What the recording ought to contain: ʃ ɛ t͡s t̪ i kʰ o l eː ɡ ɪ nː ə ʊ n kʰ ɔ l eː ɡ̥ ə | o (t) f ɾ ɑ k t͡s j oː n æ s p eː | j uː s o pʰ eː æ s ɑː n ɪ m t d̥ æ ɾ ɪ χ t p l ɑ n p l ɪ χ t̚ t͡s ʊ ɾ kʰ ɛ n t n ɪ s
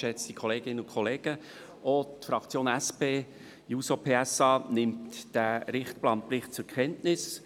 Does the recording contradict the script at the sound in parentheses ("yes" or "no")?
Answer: no